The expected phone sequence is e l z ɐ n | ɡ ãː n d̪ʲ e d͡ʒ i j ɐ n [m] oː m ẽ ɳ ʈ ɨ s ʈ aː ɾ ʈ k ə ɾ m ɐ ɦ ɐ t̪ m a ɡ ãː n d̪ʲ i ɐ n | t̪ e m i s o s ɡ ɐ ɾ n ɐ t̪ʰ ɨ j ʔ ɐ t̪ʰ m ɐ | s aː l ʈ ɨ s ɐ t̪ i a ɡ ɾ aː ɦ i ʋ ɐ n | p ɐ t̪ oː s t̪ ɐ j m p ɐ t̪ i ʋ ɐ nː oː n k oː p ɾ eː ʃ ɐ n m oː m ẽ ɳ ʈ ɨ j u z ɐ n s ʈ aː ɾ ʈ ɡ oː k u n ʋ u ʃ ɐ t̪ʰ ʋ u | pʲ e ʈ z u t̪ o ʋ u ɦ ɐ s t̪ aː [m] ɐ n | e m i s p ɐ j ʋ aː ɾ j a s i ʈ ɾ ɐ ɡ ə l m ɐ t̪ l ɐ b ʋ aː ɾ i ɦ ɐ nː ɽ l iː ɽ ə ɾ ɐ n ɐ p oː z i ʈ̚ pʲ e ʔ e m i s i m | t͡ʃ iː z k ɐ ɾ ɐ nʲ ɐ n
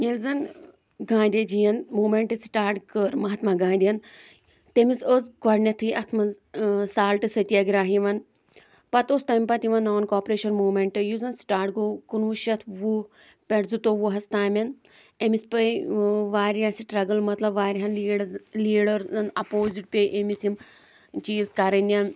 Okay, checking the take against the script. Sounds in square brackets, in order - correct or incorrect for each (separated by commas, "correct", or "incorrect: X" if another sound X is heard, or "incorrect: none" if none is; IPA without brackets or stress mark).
correct, correct